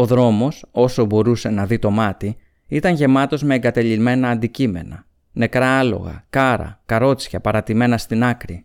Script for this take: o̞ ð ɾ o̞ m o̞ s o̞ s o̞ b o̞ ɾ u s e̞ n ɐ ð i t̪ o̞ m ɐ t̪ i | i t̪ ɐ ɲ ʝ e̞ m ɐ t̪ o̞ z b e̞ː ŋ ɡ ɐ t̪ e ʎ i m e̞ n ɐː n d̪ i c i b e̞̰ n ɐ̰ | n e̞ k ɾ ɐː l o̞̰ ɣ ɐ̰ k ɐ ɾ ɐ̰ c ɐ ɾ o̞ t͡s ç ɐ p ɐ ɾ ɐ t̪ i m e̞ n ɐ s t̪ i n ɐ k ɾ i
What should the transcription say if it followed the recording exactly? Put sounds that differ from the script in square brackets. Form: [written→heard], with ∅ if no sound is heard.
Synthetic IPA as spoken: o̞ ð ɾ o̞ m o̞ s o̞ s o̞ b o̞ ɾ u s e̞ n ɐ ð i t̪ o̞ m ɐ t̪ i | i t̪ ɐ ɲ ʝ e̞ m ɐ t̪ o̞ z [b→m] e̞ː ŋ ɡ ɐ t̪ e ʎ i m e̞ n ɐː n d̪ i c i [b→m] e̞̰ n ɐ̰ | n e̞ k ɾ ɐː l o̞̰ ɣ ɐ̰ k ɐ ɾ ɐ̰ [c→k] ɐ ɾ o̞ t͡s ç ɐ p ɐ ɾ ɐ t̪ i m e̞ n ɐ s t̪ i n ɐ k ɾ i